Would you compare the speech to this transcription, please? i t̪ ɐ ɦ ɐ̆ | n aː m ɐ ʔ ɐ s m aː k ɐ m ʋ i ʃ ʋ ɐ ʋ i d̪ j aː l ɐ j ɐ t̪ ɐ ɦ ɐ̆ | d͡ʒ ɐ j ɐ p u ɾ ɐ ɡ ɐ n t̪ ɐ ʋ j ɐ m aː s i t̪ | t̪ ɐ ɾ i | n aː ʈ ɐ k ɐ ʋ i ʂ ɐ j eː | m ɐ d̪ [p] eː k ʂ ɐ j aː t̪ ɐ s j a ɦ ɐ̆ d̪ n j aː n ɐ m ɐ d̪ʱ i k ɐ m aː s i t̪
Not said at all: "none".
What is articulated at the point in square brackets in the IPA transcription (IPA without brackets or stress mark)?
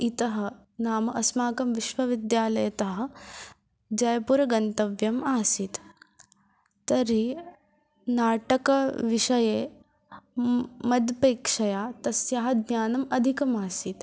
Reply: p